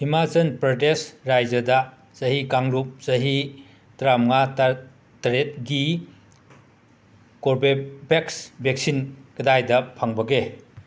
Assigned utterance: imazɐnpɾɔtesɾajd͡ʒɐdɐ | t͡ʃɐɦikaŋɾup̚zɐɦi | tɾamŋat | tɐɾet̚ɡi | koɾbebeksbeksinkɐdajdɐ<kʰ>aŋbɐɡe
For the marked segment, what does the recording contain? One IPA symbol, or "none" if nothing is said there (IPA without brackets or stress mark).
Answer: pʰ